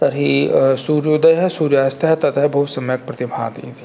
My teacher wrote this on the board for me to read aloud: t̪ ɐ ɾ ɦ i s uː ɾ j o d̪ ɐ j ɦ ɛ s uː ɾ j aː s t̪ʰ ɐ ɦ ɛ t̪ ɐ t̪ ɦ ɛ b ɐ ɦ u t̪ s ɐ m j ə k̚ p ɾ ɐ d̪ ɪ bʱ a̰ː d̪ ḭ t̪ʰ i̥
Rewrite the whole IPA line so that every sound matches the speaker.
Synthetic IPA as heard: t̪ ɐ ɾ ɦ i s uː ɾ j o d̪ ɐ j ɦ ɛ s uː ɾ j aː s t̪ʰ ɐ ɦ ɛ t̪ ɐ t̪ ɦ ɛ b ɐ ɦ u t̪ s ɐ m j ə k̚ p ɾ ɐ t̪ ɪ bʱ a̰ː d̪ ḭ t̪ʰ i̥